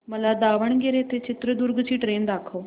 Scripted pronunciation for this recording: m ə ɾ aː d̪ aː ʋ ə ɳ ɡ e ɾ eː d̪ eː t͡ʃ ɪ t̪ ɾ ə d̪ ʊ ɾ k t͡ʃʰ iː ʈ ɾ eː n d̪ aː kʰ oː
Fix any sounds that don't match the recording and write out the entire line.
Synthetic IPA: m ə l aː d̪ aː ʋ ə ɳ ɡ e ɾ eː t̪ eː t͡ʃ ɪ t̪ ɾ ə d̪ ʊ ɾ ɡ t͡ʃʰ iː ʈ ɾ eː n d̪ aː kʰ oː